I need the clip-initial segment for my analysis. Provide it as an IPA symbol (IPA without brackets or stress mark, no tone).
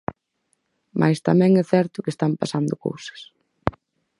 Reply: m